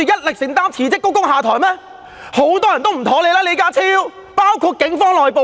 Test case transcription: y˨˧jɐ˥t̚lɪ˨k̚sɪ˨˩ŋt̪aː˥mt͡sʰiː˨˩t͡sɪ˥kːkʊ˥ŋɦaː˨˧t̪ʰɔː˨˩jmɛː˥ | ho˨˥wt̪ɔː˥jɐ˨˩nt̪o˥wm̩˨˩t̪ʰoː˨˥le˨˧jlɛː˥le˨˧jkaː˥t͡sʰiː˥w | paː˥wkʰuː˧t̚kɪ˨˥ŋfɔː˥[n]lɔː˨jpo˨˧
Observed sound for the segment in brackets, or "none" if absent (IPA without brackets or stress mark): ŋ